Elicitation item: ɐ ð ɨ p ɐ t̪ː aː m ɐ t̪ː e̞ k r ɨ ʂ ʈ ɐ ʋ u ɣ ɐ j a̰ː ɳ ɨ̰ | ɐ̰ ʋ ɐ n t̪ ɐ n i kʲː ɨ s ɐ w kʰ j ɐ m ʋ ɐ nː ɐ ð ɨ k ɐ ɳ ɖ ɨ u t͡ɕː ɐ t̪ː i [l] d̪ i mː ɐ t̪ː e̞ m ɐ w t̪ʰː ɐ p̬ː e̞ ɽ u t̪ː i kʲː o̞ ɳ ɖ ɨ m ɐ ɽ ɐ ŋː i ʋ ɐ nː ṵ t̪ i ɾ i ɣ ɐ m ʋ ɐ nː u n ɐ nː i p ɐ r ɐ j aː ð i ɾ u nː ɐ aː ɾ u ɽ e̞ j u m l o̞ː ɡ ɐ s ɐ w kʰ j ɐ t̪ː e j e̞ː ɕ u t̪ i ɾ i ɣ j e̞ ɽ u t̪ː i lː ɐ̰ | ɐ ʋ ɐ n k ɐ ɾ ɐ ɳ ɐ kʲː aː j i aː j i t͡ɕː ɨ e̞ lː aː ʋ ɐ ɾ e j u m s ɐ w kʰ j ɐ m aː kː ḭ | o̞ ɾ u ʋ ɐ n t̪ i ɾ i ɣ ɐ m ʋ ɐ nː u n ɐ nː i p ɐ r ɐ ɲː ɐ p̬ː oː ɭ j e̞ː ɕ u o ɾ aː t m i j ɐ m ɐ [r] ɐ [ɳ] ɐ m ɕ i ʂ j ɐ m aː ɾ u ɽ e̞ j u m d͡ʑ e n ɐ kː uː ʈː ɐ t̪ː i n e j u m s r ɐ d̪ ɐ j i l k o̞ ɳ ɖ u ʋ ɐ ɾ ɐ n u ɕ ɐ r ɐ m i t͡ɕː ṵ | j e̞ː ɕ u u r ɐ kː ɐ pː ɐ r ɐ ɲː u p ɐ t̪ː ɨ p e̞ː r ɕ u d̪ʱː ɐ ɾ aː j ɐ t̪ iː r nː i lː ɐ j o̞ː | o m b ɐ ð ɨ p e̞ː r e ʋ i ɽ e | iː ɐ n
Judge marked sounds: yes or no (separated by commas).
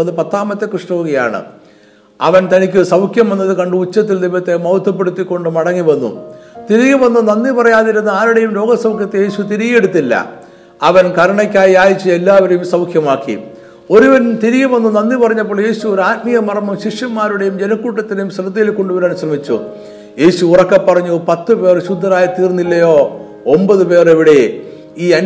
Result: yes, yes, no